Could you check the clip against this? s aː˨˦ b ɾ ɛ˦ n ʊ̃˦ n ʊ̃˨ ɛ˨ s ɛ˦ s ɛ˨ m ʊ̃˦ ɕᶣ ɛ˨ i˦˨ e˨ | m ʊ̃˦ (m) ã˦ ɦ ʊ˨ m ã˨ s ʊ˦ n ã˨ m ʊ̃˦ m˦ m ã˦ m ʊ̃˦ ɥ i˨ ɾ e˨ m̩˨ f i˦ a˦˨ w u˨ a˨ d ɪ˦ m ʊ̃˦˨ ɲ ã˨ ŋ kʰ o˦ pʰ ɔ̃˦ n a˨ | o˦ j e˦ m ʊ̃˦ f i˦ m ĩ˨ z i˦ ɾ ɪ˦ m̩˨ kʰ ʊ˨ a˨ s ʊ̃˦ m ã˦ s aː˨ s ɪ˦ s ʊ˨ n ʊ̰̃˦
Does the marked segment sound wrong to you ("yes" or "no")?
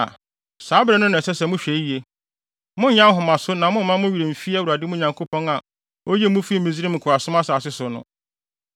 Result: yes